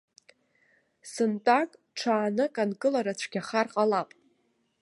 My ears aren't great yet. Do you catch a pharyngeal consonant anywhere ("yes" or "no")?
no